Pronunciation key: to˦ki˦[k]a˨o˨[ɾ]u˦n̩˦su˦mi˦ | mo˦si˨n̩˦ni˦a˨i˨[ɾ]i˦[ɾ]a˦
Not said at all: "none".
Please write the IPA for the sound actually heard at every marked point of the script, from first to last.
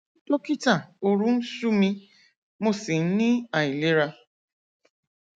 t, ɾ, l, ɾ

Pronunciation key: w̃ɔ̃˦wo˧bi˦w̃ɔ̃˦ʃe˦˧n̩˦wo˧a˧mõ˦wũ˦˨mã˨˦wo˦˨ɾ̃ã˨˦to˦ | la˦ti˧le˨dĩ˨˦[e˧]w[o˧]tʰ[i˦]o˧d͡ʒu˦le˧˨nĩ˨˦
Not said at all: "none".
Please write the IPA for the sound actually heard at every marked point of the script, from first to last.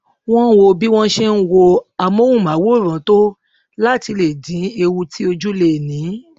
e˧, u˧, i˦

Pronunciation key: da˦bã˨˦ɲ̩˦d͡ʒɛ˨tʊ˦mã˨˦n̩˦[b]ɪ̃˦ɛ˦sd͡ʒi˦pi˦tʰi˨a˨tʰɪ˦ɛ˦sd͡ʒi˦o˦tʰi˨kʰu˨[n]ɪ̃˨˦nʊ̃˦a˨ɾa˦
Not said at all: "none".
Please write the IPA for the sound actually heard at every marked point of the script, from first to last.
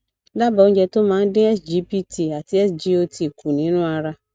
d, n

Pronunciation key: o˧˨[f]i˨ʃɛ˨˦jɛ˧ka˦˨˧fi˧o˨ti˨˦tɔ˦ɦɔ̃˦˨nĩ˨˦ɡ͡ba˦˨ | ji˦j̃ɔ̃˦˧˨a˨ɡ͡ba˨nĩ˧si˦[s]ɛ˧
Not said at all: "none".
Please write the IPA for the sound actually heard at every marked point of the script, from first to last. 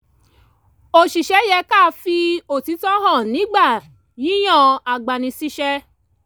ʃ, ʃ

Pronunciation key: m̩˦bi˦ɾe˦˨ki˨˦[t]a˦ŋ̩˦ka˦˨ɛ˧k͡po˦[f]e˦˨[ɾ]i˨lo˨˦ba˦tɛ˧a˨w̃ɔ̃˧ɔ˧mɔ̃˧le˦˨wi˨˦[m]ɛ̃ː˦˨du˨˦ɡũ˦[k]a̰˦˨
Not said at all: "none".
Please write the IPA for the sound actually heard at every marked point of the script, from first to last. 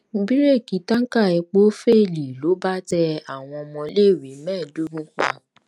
t, f, l, m, k͡p

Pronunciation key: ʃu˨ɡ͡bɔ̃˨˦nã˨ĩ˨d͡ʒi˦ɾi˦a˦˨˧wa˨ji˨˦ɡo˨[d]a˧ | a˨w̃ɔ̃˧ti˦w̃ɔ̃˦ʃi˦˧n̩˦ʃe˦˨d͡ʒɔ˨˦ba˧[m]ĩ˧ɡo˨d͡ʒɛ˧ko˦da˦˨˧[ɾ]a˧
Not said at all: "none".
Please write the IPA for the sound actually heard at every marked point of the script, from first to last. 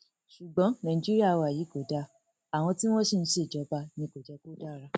d, n, ɾ

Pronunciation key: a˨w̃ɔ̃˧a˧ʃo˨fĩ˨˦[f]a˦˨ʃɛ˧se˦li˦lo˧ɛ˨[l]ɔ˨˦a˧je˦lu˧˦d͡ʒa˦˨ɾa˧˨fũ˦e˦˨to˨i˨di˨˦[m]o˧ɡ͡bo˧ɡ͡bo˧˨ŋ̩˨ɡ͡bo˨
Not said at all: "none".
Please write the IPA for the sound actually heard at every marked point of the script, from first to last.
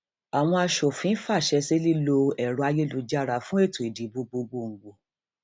f, ɾ, b

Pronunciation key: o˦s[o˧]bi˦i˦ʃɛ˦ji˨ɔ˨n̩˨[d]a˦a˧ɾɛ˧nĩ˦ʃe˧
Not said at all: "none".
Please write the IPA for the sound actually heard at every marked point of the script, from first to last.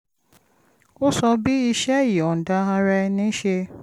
ɔ˧, d

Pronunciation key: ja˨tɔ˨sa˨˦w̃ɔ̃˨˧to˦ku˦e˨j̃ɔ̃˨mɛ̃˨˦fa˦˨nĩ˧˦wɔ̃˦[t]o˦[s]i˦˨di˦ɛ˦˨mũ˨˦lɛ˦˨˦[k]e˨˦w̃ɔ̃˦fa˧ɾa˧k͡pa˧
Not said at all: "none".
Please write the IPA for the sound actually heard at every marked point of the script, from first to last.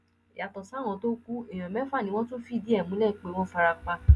t, f, k͡p

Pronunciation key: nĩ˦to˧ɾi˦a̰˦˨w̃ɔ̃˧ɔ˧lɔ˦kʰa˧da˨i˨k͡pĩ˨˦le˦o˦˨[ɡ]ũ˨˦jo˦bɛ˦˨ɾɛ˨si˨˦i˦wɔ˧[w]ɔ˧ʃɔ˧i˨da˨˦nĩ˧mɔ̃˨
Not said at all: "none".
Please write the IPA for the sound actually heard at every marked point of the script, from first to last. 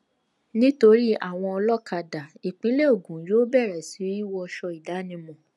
ɡ, none

